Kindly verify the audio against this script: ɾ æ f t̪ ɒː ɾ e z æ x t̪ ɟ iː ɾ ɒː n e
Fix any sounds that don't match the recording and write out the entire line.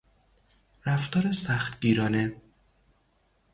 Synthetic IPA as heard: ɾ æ f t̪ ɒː ɾ e s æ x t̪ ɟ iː ɾ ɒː n e